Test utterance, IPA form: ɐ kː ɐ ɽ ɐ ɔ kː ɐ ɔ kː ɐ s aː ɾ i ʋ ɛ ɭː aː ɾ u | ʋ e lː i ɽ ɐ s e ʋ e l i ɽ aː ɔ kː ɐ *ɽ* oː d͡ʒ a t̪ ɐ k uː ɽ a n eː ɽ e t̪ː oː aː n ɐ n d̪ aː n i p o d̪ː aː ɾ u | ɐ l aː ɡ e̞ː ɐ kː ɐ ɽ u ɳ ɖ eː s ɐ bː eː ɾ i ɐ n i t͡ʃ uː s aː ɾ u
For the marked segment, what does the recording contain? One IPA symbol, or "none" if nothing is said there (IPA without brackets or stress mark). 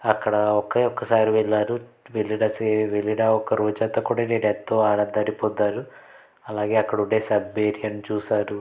ɾ